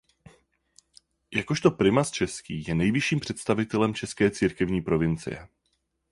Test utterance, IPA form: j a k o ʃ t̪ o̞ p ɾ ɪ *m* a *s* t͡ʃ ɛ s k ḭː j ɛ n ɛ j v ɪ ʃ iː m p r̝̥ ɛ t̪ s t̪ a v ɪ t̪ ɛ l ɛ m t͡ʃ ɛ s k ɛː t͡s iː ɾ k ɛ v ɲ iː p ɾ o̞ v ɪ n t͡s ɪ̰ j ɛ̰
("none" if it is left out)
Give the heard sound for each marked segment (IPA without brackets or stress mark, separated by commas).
m, s